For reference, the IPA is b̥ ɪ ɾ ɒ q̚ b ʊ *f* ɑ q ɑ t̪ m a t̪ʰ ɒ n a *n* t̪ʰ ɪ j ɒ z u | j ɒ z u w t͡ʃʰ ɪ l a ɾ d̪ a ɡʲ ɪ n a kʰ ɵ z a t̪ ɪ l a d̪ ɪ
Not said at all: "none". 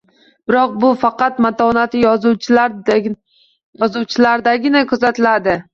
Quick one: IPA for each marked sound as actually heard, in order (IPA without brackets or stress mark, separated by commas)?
f, none